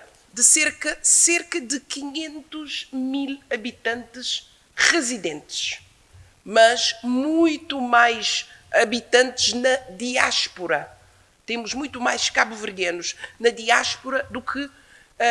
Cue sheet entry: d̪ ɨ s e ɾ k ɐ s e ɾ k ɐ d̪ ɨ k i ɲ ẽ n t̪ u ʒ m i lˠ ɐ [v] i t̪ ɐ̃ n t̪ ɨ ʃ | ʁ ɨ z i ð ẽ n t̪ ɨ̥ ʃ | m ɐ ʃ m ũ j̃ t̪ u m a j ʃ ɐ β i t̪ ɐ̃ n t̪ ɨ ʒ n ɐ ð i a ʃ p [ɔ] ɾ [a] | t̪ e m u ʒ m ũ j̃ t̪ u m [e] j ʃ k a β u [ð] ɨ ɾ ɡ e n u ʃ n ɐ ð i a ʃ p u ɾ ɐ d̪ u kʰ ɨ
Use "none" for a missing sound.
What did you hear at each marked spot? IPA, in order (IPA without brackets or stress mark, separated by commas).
β, u, ɐ, a, v